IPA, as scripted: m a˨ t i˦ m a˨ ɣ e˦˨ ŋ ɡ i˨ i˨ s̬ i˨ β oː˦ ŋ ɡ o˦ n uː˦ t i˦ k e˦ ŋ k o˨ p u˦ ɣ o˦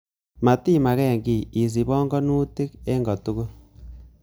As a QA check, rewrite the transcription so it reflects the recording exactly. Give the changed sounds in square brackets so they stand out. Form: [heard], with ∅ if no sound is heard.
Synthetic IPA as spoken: m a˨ t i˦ m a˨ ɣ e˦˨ ŋ ɡ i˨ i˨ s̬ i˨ β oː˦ ŋ ɡ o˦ n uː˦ t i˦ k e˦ ŋ [ɡ] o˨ [t] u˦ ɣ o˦